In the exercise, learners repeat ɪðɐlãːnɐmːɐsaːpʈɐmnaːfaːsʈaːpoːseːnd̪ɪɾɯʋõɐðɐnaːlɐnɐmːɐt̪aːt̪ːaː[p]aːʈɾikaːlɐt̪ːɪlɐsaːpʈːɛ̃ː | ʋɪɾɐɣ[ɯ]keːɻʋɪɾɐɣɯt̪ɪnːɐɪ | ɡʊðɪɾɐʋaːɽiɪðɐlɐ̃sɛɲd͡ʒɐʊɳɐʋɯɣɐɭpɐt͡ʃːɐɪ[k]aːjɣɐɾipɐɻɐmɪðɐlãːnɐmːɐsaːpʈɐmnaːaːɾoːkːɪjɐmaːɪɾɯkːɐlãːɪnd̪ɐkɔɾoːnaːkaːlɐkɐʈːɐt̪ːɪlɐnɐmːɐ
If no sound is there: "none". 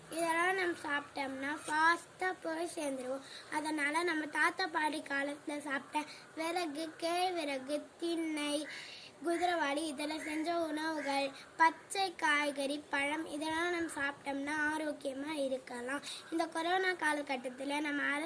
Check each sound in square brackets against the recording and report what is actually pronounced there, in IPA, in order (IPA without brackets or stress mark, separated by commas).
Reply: p, ɯ, k